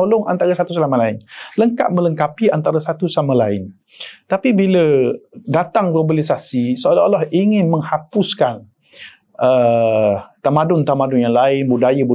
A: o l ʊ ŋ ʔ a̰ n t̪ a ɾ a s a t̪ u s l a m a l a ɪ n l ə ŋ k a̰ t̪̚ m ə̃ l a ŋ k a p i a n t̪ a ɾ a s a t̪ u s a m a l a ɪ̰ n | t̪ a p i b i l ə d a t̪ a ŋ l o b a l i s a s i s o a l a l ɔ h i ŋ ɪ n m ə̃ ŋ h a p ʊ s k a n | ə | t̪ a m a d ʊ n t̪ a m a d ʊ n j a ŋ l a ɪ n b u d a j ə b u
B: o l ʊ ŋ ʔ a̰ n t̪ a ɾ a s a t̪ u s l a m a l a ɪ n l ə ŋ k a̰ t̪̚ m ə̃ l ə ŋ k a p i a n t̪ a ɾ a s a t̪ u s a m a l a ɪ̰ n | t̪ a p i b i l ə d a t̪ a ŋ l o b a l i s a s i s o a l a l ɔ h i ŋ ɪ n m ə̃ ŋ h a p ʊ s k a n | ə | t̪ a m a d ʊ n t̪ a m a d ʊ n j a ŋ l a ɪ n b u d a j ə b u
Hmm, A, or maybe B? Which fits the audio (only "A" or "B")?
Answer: B